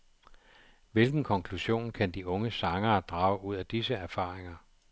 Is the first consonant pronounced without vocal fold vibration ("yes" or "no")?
no